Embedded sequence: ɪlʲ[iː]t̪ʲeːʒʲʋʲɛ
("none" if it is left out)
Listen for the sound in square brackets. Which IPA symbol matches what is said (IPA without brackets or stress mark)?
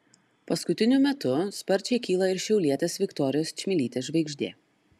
iː